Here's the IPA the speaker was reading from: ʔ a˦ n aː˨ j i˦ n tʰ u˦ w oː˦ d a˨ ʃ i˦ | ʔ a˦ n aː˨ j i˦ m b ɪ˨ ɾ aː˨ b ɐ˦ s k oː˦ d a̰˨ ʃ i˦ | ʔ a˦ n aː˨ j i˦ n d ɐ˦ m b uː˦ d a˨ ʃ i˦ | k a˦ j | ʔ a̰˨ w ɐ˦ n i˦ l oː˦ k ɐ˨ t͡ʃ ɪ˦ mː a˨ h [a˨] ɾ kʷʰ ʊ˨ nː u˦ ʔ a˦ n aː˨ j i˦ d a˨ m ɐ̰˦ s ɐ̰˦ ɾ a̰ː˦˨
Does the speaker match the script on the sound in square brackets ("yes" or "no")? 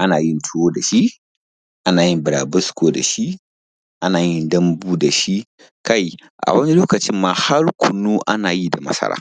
no